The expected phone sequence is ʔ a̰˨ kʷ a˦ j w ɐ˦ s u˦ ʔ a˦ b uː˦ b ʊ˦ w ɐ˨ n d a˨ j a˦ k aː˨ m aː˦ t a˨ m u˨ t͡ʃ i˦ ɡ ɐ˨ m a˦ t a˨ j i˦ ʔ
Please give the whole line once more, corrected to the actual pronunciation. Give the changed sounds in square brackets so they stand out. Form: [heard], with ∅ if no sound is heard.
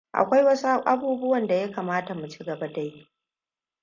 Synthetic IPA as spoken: ʔ a̰˨ kʷ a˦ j w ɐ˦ s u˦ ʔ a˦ b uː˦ b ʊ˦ w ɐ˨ n d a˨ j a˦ k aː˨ m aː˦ t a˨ m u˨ t͡ʃ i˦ ɡ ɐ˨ [b] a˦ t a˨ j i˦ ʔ